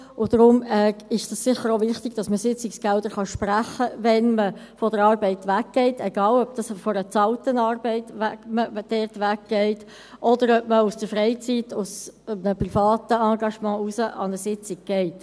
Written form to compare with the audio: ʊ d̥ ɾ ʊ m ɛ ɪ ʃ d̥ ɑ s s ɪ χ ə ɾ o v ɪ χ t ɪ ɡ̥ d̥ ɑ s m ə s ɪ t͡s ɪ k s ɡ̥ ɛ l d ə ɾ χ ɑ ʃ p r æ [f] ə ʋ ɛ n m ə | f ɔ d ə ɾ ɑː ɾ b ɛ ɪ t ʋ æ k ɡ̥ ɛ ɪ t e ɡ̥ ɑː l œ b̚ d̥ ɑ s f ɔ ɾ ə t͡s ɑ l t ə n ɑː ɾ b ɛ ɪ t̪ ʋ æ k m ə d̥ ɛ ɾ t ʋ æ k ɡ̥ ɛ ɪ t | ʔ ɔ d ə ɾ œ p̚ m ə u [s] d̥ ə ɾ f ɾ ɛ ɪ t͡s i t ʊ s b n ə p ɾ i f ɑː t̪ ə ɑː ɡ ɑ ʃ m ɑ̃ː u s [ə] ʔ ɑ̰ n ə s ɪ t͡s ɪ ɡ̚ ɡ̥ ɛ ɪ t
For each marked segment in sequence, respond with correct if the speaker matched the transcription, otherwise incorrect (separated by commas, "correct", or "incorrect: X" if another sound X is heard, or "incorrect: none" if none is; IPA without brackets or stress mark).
incorrect: χ, correct, correct